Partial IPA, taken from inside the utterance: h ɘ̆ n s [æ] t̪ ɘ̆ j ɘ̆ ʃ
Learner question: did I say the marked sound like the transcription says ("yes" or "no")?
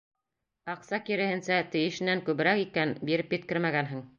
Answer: yes